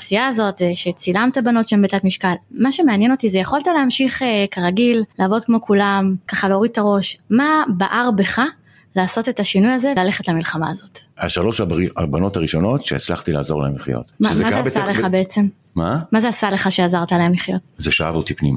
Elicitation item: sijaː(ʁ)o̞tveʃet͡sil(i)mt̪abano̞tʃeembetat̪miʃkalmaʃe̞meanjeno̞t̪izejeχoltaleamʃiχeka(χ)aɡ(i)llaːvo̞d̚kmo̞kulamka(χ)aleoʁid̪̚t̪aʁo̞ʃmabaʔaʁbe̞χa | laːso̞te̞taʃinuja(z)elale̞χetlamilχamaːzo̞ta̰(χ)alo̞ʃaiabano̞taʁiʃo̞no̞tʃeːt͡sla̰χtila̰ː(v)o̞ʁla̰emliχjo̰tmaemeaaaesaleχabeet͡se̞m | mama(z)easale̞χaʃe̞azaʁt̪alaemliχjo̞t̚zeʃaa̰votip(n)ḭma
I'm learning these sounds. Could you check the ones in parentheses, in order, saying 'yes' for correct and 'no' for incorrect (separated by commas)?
no, no, no, yes, yes, yes, no, no, yes, yes